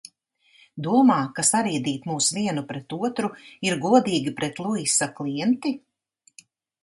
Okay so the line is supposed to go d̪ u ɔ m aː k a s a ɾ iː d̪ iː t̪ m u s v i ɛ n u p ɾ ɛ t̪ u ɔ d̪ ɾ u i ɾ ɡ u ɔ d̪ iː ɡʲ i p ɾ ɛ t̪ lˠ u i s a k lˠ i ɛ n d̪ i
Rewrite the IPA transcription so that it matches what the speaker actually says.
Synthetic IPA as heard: d̪ u ɔ m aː k a s a ɾ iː d̪ iː t̪ m uː s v i ɛ n u p ɾ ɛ t̪ u ɔ t̪ ɾ u i ɾ ɡ u ɔ d̪ iː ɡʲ i p ɾ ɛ t̪ lˠ u i s a k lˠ i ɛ n t̪ i